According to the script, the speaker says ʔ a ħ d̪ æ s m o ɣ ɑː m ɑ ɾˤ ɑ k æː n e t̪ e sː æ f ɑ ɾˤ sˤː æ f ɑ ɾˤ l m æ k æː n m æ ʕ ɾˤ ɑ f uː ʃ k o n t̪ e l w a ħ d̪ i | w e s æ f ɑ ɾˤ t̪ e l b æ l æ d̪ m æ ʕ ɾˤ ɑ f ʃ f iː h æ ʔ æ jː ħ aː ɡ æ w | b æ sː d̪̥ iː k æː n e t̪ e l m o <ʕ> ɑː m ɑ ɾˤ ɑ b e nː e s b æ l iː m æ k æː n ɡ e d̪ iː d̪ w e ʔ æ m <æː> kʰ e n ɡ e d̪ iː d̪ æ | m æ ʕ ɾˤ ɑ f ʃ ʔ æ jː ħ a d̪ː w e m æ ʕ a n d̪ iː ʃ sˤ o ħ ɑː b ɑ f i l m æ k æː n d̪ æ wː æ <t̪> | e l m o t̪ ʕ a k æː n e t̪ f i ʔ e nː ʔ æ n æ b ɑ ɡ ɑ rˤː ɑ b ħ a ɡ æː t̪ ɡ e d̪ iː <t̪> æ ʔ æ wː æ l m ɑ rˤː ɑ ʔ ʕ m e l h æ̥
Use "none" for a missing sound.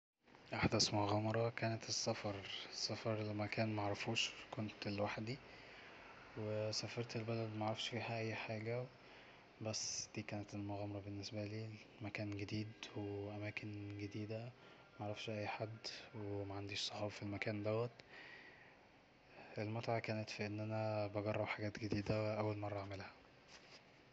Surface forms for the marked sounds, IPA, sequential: ɣ, æː, t̪, d̪

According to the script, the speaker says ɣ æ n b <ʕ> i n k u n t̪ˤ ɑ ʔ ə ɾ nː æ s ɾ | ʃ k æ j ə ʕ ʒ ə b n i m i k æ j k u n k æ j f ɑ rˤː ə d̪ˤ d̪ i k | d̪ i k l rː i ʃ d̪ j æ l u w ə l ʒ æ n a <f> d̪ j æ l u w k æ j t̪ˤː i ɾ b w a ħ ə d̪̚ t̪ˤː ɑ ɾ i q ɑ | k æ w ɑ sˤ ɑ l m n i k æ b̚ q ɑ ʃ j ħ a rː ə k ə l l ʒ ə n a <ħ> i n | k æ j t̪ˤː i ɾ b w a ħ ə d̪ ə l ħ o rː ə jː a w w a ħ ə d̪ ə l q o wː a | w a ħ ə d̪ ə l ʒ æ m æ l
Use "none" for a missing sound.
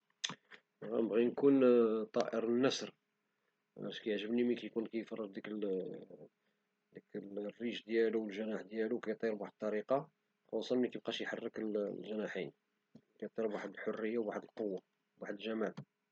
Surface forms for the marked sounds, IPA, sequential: ɣ, ħ, ħ

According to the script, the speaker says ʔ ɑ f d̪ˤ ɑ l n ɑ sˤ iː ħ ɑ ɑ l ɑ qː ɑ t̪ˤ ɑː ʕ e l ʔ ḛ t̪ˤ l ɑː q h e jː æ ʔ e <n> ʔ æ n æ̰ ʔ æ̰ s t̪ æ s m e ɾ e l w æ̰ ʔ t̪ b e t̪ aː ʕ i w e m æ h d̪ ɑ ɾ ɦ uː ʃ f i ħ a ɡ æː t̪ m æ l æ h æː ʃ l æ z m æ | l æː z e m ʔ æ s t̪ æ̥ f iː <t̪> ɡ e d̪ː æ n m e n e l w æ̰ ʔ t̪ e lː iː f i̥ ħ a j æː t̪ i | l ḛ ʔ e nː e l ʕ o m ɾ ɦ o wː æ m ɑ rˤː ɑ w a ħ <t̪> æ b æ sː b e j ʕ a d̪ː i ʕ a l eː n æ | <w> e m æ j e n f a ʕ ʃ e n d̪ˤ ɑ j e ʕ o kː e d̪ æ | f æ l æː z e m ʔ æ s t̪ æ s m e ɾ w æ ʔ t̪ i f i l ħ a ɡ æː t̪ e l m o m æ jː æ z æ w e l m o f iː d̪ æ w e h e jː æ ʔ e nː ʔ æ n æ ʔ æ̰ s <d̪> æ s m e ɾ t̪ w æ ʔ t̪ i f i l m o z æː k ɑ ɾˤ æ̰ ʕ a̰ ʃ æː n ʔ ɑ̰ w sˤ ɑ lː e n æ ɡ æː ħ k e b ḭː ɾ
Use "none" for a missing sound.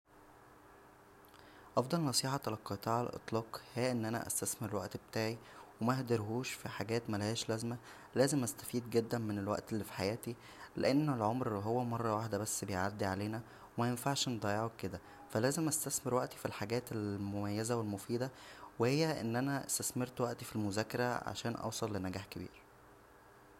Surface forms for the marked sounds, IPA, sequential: nː, d̪, d̪, w, t̪

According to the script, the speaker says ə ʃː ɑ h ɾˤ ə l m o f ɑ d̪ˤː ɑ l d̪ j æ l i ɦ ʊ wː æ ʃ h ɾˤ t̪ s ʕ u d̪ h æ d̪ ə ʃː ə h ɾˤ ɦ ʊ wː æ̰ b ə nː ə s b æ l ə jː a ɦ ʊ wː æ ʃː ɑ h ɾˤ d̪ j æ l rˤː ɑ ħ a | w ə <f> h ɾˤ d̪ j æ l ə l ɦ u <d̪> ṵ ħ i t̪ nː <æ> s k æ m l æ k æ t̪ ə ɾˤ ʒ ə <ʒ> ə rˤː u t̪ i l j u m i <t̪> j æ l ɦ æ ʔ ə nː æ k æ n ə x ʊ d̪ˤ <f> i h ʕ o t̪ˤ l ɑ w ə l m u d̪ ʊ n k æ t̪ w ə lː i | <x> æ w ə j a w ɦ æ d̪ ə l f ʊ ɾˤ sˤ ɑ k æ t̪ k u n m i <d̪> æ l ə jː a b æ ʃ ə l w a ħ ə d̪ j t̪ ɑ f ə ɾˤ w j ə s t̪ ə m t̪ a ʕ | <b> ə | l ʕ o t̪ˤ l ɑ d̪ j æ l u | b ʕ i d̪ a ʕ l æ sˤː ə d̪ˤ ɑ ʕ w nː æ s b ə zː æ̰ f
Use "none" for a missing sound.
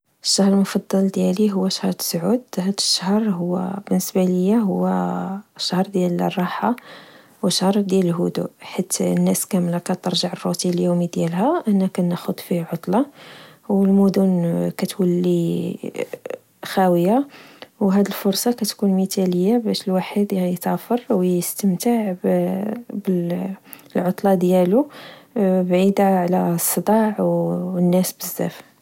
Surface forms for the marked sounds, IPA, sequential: ʃ, d̪, æ, ʕ, d̪, f, x, t̪, b

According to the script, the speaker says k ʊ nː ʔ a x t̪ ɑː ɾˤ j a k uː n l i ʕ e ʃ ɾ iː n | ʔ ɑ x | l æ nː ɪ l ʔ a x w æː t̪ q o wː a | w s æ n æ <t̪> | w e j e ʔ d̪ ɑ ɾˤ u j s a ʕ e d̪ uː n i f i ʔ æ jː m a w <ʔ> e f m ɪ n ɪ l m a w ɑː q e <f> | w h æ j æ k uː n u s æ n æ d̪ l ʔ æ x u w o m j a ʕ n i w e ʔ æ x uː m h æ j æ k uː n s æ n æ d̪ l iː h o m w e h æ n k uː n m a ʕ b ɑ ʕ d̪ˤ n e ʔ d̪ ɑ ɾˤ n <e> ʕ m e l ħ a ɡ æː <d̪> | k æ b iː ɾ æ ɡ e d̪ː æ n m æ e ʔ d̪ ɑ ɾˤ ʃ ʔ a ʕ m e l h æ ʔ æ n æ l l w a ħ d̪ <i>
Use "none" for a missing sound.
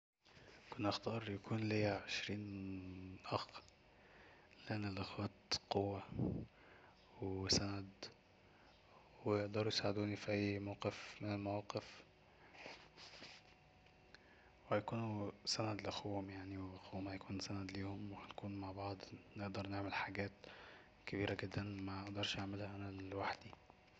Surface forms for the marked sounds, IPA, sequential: d̪, q, f, e, t̪, i

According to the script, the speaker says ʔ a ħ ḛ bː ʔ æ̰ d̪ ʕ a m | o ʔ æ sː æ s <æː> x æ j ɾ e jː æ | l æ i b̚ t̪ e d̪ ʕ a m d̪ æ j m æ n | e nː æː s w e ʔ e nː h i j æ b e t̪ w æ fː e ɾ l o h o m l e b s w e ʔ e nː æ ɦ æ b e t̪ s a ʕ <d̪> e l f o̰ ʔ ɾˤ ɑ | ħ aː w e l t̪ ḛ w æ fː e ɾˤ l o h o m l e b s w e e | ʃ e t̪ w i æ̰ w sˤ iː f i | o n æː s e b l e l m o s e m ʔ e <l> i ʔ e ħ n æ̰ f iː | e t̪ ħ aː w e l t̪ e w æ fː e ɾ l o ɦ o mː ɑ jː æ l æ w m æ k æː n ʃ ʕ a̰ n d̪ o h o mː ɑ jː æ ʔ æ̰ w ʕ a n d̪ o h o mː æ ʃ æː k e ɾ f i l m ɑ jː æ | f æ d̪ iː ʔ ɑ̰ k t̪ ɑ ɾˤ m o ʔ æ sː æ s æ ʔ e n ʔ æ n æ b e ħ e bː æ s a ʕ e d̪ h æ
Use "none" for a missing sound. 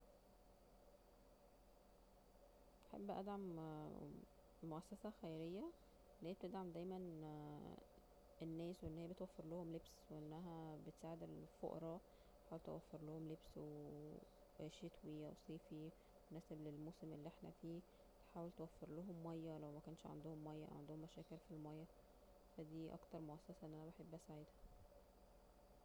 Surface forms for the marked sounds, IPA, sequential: æ, d̪, lː

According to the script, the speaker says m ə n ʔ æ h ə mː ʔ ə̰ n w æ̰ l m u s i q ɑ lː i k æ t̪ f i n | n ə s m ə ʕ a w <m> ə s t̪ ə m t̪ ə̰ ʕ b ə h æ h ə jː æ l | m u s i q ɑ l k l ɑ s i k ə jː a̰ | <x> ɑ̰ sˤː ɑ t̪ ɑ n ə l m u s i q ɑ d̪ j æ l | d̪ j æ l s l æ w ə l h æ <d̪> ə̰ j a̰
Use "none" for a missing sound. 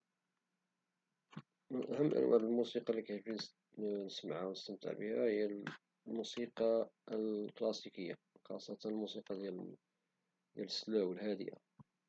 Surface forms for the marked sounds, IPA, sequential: n, x, d̪

